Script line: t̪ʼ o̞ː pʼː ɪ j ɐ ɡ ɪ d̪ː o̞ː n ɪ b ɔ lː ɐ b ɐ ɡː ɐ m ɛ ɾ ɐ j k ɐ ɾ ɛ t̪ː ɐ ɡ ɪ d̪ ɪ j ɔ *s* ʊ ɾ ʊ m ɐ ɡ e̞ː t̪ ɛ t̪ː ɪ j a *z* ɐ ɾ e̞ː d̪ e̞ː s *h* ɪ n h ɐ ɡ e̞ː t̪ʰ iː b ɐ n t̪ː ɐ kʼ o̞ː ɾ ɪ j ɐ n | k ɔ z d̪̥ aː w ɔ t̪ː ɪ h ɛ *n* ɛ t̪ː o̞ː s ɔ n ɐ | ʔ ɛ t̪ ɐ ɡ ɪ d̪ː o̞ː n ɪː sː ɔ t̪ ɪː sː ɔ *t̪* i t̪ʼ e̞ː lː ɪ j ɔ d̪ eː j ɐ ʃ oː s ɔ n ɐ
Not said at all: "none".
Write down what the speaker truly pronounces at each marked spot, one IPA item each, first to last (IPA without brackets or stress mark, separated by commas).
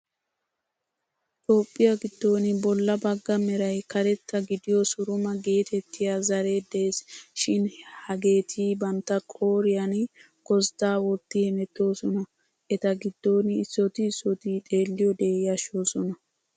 s, z, ʃ, m, t̪